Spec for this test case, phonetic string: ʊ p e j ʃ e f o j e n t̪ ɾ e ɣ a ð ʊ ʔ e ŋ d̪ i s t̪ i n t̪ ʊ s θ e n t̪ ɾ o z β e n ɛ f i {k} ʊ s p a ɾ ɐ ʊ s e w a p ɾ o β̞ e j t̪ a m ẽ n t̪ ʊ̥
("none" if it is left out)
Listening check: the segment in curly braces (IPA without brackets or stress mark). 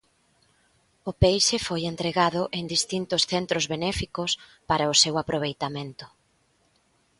k